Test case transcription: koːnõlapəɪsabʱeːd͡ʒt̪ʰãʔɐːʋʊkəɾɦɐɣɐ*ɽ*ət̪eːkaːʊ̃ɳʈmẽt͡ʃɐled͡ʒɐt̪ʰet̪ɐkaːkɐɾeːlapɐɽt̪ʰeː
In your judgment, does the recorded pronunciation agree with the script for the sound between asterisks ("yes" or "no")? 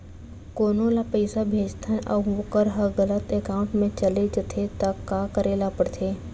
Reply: no